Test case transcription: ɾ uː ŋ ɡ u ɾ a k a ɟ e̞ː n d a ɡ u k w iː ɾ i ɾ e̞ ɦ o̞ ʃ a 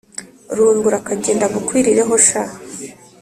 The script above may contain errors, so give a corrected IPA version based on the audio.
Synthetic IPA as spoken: ɾ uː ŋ ɡ u ɾ a k a ɟ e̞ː n d a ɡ u k w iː ɾ i ɾ e̞ ɦ o̞ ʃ a